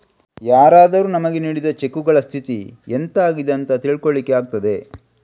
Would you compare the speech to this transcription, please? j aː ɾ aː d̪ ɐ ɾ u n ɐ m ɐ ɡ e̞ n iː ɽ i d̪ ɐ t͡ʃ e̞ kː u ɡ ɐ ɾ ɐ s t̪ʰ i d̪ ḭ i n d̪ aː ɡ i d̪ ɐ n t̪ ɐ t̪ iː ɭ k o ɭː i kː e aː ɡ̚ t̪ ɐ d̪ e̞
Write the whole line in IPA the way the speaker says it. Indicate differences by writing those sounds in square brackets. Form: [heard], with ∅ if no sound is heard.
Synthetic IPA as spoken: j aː ɾ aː d̪ ɐ ɾ u n ɐ m ɐ ɡ e̞ n iː ɽ i d̪ ɐ t͡ʃ e̞ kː u ɡ ɐ [ɭ] ɐ s t̪ʰ i [t̪] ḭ [e] n [t̪] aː ɡ i d̪ ɐ n t̪ ɐ t̪ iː ɭ k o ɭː i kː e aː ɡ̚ t̪ ɐ d̪ e̞